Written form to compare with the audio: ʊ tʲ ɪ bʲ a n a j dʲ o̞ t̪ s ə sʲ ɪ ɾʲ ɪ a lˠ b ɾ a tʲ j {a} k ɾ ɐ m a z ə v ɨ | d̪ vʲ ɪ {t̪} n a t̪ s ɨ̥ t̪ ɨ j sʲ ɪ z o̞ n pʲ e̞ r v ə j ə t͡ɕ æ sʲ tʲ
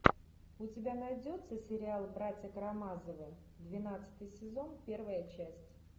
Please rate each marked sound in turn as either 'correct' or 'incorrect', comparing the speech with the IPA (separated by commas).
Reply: incorrect, incorrect